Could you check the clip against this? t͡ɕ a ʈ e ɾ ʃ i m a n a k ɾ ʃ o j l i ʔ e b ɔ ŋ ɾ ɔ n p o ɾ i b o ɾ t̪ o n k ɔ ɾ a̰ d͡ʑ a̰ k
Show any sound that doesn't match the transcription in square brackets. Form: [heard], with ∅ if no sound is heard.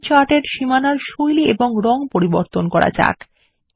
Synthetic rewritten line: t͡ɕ a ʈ e ɾ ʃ i m a n a [∅] ɾ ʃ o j l i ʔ e b [o] ŋ ɾ ɔ [ŋ] p o ɾ i b o ɾ t̪ o n k ɔ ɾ a̰ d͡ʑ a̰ k